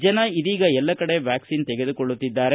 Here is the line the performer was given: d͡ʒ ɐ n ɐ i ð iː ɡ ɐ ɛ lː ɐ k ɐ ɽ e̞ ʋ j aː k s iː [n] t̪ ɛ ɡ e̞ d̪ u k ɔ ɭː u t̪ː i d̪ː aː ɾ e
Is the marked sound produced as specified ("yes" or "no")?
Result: yes